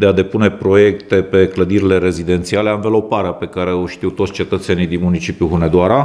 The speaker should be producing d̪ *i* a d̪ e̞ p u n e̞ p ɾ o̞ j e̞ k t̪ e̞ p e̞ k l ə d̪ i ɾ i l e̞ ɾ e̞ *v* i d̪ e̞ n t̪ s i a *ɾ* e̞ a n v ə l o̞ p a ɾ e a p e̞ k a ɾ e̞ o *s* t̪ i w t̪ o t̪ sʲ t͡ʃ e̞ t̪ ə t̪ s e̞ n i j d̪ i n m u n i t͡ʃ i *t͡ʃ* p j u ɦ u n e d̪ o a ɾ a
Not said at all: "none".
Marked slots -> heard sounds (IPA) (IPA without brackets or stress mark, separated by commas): e, z, l, ʃ, none